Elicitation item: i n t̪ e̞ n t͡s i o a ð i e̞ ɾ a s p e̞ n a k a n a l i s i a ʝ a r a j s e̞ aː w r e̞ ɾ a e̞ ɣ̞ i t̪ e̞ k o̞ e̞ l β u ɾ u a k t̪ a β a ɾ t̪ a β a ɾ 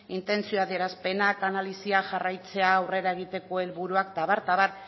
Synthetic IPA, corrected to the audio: i n t̪ e̞ n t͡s i o a ð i e̞ ɾ a s p e̞ n a k a n a l i s i a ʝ a r a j t͡s e̞ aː w r e̞ ɾ a e̞ ɣ̞ i t̪ e̞ k o̞ e̞ l β u ɾ u a k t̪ a β a ɾ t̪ a β a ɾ